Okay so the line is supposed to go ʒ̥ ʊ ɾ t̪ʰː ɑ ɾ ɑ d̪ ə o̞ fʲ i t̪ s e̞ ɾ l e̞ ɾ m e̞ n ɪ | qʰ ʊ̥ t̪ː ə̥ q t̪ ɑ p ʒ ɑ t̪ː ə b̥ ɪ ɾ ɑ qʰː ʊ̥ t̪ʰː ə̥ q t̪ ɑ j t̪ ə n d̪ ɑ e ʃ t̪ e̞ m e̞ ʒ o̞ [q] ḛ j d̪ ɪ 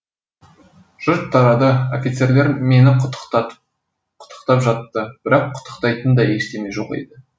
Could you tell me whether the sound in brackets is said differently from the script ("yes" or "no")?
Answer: no